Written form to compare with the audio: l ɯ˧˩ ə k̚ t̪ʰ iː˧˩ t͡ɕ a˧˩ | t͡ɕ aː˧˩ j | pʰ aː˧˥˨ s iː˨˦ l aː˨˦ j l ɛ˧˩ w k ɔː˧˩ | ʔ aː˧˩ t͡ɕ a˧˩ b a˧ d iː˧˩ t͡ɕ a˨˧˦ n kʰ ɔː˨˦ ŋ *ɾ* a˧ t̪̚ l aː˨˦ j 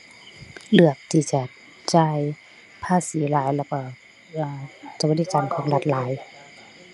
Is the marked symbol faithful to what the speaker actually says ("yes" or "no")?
no